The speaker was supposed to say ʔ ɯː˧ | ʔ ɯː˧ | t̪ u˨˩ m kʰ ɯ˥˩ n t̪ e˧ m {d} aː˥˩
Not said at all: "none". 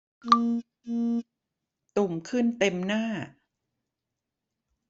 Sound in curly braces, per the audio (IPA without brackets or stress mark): n